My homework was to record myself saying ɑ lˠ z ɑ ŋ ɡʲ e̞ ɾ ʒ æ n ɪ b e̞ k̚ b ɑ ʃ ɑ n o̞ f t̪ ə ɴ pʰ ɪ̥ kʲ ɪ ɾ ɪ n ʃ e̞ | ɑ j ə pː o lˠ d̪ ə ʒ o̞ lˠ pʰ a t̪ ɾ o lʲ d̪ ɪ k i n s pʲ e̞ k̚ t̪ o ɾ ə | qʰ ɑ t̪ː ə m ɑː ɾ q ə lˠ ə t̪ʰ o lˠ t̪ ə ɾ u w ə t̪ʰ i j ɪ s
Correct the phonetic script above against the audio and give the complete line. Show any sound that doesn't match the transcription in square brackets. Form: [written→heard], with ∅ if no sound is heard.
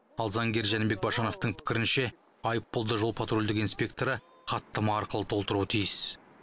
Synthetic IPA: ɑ lˠ z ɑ ŋ ɡʲ e̞ ɾ ʒ æ n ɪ b e̞ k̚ b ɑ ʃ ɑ n o̞ f t̪ ə ɴ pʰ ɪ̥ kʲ ɪ ɾ ɪ n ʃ e̞ | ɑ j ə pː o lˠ d̪ ə ʒ o̞ lˠ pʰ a t̪ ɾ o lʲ d̪ ɪ k i n s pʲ e̞ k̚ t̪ o ɾ ə | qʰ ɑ t̪ː ə m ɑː ɾ q ə lˠ ə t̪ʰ o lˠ t̪ ə ɾ u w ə t̪ʰ i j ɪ s

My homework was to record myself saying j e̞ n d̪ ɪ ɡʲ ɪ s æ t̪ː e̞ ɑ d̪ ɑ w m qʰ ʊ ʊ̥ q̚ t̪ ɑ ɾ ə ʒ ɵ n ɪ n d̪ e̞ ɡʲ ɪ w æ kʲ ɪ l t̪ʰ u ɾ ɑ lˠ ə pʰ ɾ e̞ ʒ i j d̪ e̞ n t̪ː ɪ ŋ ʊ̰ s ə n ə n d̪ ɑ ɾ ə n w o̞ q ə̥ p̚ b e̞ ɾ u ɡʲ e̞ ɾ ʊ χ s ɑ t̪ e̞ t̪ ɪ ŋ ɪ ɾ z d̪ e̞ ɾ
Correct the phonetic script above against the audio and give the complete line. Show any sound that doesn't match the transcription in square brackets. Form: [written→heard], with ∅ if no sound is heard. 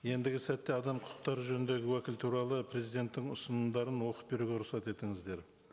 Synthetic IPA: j e̞ n d̪ ɪ ɡʲ ɪ s æ t̪ː e̞ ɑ d̪ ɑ [w→∅] m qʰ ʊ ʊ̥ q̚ t̪ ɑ ɾ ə ʒ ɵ n ɪ n d̪ e̞ ɡʲ ɪ w æ kʲ ɪ l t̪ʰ u ɾ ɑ lˠ ə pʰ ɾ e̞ [ʒ→z] i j d̪ e̞ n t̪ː ɪ ŋ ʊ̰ s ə n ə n d̪ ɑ ɾ ə n w o̞ q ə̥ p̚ b e̞ ɾ u ɡʲ e̞ ɾ ʊ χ s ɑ t̪ e̞ t̪ ɪ ŋ ɪ [ɾ→∅] z d̪ e̞ ɾ

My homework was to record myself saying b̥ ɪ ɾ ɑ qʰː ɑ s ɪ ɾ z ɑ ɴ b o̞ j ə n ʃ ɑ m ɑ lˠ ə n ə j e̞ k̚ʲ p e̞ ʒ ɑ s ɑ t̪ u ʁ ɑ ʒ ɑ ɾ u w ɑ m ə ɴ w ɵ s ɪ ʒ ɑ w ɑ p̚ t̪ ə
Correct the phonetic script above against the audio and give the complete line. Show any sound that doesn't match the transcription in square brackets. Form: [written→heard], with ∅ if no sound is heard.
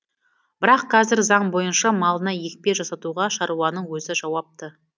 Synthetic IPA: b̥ ɪ ɾ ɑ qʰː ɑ [s→z] ɪ ɾ z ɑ ɴ b o̞ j ə n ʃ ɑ m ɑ lˠ ə n [ə→ɑ] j e̞ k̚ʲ p e̞ ʒ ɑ s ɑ t̪ u ʁ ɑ [ʒ→ʃ] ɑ ɾ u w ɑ [m→n] ə ɴ w ɵ [s→z] ɪ ʒ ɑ w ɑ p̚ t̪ ə

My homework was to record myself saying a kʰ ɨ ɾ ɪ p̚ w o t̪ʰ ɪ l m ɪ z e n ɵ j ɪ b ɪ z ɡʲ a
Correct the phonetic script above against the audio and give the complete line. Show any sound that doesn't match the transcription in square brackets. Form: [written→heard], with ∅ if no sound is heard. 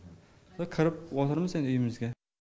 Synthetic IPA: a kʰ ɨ ɾ ɪ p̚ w [o→ɒ] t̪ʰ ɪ [l→ɾ] m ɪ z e n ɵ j ɪ [b→m] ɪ z ɡʲ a

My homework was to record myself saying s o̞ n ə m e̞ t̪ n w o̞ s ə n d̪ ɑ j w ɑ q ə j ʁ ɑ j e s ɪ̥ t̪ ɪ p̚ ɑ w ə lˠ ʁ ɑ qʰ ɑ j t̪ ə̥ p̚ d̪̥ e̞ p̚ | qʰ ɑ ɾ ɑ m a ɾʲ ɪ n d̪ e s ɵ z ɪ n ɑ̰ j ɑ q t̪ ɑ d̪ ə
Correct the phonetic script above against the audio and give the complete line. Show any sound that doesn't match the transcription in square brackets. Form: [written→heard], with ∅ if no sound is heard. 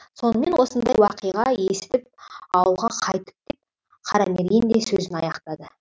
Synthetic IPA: s o̞ n ə m e̞ [t̪→∅] n w o̞ s ə n d̪ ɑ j w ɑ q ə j ʁ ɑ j e s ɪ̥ t̪ ɪ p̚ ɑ w ə lˠ ʁ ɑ qʰ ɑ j t̪ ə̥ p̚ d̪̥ e̞ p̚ | qʰ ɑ ɾ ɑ m [a→e] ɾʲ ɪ n d̪ e s ɵ z ɪ n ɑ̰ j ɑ q t̪ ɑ d̪ ə

